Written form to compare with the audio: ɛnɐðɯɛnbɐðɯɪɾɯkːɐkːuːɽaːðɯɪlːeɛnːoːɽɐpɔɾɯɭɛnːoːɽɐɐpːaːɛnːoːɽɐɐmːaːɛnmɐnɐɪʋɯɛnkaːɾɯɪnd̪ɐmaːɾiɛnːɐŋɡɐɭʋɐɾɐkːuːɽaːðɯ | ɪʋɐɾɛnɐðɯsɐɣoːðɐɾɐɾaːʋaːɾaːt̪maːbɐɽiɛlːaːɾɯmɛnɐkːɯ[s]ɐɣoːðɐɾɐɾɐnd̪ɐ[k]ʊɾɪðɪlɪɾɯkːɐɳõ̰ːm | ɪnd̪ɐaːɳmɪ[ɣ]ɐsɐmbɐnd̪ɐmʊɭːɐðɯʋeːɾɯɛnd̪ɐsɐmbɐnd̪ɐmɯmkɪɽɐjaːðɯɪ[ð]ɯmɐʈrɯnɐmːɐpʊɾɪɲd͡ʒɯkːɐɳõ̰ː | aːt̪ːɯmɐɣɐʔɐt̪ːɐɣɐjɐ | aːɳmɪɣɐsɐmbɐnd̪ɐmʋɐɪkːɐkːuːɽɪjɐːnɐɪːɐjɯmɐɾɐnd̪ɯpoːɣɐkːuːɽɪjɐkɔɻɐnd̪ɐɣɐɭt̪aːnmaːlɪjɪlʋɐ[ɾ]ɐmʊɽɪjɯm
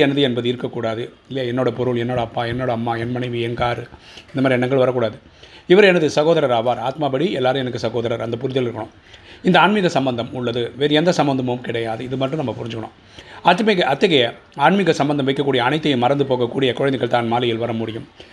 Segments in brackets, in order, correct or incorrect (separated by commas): correct, incorrect, correct, correct, correct